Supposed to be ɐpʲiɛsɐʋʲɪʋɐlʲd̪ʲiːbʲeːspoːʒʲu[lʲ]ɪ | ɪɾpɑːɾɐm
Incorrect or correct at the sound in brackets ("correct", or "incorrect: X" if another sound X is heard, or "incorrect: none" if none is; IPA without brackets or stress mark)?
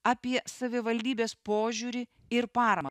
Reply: incorrect: ɾʲ